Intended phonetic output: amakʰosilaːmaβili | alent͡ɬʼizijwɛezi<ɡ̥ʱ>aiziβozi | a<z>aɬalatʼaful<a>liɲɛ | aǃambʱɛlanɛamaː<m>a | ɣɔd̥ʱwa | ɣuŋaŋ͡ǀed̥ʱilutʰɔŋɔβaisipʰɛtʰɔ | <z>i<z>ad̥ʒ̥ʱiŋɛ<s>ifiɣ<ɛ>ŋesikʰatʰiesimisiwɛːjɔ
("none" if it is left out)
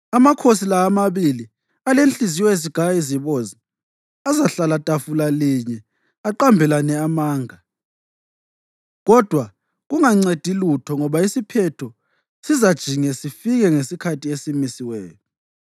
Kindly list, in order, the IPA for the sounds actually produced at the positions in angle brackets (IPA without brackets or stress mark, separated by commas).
ɡ̥ʱ, z, a, ŋ, s, z, s, ɛ